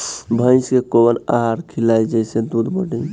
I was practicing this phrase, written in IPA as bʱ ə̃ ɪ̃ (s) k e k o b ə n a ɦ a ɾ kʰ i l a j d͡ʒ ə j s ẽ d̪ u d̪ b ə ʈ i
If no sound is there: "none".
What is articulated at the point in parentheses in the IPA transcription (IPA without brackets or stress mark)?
s